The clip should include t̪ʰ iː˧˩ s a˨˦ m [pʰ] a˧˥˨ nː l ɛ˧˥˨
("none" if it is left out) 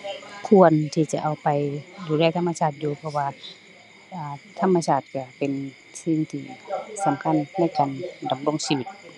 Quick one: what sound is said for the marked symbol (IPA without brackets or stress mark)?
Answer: kʰ